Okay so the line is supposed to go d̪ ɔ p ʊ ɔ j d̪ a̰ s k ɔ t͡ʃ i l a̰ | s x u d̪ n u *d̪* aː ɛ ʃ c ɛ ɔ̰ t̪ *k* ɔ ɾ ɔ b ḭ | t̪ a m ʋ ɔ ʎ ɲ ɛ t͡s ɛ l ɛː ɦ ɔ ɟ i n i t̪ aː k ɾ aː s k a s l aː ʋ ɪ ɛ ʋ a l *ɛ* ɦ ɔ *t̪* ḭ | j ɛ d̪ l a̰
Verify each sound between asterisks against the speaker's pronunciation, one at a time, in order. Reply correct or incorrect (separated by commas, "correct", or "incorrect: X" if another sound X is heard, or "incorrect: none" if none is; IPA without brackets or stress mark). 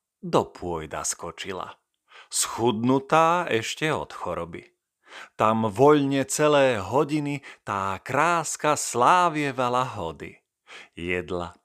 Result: incorrect: t̪, incorrect: x, incorrect: a, incorrect: d̪